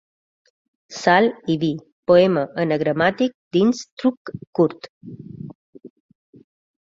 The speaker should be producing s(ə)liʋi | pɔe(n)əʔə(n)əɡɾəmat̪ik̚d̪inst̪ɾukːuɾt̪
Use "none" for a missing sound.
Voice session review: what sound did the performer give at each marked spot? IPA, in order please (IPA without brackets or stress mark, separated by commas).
a, m, n